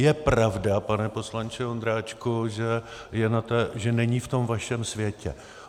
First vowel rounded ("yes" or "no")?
no